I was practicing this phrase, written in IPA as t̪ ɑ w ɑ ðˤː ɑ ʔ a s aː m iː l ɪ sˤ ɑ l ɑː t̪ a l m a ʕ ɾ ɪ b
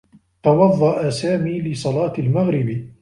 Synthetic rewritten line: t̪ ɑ w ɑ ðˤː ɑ ʔ a s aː m iː l ɪ sˤ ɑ l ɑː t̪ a l m a ɣ ɾ ɪ b